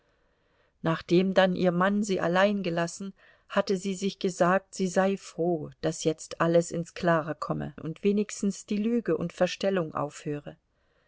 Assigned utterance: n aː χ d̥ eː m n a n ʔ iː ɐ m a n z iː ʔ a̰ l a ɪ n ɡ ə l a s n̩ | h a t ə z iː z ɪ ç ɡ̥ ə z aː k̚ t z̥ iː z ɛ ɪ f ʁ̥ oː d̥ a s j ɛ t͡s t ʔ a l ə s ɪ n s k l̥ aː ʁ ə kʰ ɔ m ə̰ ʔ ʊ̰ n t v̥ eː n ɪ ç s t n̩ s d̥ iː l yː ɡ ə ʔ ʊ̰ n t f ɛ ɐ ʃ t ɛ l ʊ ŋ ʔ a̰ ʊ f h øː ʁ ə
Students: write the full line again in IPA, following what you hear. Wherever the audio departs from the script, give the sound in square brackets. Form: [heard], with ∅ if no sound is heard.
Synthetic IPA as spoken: n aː χ d̥ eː m [d] a n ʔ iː ɐ m a n z iː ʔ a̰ l a ɪ n ɡ ə l a s n̩ | h a t ə z iː z ɪ ç ɡ̥ ə z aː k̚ t z̥ iː z [a] ɪ f ʁ̥ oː d̥ a s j ɛ t͡s t ʔ a l ə s ɪ n s k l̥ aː ʁ ə kʰ ɔ m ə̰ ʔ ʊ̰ n t v̥ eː n ɪ ç s t n̩ s d̥ iː l yː ɡ ə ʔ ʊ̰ n t f ɛ ɐ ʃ t ɛ l ʊ ŋ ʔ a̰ ʊ f h øː ʁ ə